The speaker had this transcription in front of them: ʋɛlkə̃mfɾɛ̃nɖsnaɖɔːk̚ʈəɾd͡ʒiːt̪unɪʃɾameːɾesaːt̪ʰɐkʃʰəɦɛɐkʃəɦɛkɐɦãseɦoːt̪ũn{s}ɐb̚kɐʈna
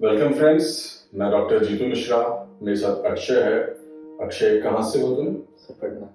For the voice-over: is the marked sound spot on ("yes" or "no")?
yes